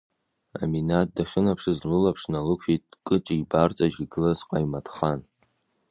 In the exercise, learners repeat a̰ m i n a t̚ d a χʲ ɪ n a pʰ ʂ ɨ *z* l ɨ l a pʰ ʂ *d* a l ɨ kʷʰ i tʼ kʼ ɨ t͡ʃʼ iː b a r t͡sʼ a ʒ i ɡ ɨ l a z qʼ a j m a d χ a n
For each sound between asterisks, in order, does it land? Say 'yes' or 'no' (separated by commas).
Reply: yes, no